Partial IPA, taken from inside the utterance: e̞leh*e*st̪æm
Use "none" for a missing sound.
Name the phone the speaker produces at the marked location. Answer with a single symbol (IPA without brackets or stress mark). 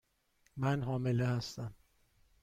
æ